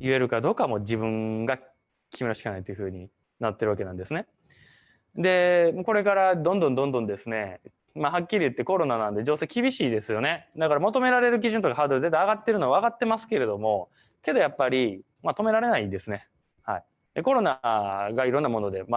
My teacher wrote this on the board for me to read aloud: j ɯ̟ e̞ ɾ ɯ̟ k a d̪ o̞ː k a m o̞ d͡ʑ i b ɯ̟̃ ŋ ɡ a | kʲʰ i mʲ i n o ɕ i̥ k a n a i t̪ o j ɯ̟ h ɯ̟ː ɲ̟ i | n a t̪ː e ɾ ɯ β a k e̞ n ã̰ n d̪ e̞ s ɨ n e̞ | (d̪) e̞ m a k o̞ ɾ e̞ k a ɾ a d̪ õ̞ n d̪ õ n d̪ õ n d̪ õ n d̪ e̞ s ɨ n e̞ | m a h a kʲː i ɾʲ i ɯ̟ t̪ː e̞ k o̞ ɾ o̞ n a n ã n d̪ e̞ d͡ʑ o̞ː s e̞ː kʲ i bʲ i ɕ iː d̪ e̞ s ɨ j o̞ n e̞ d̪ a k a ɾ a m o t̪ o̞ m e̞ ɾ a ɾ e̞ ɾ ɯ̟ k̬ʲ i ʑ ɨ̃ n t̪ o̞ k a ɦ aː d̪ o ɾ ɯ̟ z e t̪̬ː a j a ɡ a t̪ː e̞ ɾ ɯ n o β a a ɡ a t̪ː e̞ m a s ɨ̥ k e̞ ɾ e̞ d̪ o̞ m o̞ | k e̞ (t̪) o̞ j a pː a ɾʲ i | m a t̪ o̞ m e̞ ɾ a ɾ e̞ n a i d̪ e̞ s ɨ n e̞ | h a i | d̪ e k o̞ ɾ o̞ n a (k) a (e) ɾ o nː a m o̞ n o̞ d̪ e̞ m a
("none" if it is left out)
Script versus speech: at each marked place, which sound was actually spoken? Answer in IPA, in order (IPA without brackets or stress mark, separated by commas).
d̪, d̪, ɡ, i